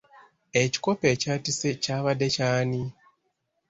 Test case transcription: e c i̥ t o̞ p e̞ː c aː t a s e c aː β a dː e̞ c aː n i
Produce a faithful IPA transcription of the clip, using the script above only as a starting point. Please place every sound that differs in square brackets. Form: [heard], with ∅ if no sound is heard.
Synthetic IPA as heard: e c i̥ [k] o̞ p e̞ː c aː t [i] s e c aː β a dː e̞ c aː n i